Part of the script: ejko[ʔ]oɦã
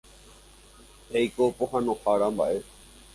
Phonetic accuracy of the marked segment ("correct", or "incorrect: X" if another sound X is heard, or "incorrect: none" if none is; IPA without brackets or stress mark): incorrect: p